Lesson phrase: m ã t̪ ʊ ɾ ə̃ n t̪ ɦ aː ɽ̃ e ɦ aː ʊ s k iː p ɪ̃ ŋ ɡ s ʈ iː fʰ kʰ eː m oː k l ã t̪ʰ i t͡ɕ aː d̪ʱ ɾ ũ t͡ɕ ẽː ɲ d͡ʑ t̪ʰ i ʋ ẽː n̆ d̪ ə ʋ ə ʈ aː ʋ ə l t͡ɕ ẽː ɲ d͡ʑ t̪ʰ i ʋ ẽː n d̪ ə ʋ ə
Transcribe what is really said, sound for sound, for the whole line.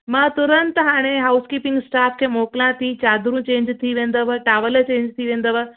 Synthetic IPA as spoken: m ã t̪ ʊ ɾ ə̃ n t̪ ɦ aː ɽ̃ e ɦ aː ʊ s k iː p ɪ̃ ŋ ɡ s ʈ aː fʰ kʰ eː m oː k l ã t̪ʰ i t͡ɕ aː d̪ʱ ɾ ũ t͡ɕ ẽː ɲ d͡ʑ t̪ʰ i ʋ ẽː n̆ d̪ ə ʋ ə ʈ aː ʋ ə l t͡ɕ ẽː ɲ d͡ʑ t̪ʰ i ʋ ẽː n d̪ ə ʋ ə

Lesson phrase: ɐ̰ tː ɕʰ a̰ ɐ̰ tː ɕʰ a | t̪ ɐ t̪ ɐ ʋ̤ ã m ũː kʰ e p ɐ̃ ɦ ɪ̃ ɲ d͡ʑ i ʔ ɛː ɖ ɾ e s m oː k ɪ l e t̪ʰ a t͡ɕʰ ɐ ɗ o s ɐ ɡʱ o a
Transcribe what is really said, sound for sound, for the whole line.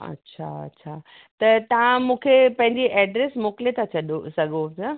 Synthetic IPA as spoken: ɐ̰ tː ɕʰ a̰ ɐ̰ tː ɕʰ a | t̪ ɐ t̪ ɐ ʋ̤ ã m ũː kʰ e p ɐ̃ ɦ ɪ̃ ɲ d͡ʑ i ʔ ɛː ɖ ɾ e s m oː k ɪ l e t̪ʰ a t͡ɕʰ ɐ ɗ o s ɐ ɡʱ o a

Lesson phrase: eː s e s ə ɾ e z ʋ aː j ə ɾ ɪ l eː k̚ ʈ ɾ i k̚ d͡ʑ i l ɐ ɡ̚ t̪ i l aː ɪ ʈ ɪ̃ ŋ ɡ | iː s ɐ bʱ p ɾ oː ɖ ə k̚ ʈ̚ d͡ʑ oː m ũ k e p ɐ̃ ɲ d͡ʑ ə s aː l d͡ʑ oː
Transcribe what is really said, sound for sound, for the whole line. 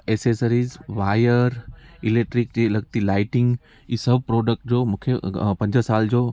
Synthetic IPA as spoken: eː s e s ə ɾ i z ʋ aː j ə ɾ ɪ l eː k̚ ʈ ɾ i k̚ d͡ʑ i l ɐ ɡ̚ t̪ i l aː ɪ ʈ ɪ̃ ŋ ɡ | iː s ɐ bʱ p ɾ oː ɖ ə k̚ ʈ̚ d͡ʑ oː m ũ kʰ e p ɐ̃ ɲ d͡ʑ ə s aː l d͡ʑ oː

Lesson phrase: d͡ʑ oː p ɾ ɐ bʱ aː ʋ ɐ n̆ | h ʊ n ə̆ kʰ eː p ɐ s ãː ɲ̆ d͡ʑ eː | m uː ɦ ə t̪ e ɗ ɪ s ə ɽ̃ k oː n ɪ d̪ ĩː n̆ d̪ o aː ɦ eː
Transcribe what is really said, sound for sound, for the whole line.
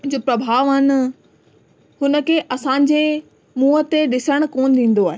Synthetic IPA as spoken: d͡ʑ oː p ɾ ɐ bʱ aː ʋ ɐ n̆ | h ʊ n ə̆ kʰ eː ʔ ɐ s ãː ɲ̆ d͡ʑ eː | m uː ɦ ə t̪ e ɗ ɪ s ə ɽ̃ k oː n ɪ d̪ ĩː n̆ d̪ o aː ɦ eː

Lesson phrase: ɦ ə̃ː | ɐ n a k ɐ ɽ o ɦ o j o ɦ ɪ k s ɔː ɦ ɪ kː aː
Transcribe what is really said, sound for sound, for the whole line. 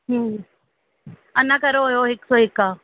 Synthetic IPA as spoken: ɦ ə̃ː | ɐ n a k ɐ ɾ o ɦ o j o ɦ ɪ k s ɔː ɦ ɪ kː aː

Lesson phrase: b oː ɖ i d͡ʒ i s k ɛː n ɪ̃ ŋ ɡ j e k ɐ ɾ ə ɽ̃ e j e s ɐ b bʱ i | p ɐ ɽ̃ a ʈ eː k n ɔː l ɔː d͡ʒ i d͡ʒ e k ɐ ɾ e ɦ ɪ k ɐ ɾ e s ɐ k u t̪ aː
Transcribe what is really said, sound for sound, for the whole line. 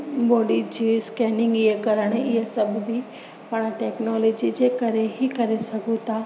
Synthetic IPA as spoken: b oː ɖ i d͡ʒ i s k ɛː n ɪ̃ ŋ ɡ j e k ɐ ɾ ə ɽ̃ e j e s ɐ b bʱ i | p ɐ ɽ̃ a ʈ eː k n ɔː l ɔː d͡ʒ i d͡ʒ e k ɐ ɾ e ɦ i k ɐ ɾ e s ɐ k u t̪ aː

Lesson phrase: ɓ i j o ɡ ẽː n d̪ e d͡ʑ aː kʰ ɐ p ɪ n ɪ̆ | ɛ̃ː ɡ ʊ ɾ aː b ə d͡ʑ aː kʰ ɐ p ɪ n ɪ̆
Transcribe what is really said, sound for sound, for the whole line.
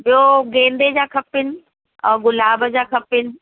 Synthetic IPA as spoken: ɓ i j o ɡ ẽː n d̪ e d͡ʑ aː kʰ ɐ p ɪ n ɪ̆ | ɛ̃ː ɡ ʊ l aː b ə d͡ʑ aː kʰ ɐ p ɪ n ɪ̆

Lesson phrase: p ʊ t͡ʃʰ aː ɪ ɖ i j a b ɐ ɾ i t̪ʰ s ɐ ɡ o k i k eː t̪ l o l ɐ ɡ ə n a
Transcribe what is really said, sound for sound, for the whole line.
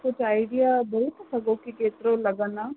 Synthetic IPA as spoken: k ʊ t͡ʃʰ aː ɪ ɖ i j a b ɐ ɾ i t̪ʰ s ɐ ɡ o k i k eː t̪ ɾ o l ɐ ɡ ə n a

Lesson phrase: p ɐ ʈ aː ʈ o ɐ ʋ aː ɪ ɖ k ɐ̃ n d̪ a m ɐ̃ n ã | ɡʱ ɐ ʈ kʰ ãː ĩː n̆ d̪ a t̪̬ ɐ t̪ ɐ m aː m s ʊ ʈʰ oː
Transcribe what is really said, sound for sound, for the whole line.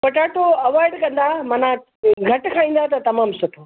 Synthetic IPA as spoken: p ɐ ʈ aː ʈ o ɐ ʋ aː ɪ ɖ k ɐ̃ n d̪ a m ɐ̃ n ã | ɡʱ ɐ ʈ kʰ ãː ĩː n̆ d̪ a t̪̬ ɐ t̪ ɐ m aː m s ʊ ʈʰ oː

